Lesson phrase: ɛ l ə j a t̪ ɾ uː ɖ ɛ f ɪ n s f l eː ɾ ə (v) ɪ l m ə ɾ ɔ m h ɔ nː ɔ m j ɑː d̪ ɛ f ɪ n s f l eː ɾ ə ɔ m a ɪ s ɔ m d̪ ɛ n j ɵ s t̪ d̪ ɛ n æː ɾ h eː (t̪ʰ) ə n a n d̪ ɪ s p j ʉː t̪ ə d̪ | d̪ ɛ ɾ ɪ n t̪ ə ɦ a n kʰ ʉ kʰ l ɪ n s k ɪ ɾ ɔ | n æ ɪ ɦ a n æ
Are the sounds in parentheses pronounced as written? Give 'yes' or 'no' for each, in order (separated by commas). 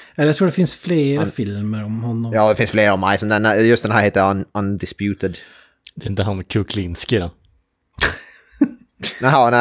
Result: no, no